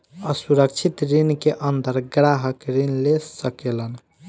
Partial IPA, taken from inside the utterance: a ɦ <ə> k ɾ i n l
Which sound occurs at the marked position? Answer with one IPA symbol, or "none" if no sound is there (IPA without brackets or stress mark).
ə